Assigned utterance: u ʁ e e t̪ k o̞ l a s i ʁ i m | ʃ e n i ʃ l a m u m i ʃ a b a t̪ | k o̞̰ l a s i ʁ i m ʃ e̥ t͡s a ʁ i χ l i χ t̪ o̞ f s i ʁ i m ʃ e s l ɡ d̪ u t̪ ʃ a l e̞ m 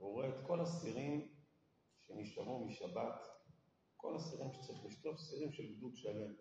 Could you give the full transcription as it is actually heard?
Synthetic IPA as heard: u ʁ e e t̪ k o̞ l a s i ʁ i m | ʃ e n i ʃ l a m u m i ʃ a b a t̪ | k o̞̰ l a s i ʁ i m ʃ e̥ t͡s a ʁ i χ l i ʃ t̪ o̞ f s i ʁ i m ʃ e l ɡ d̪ u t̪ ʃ a l e̞ m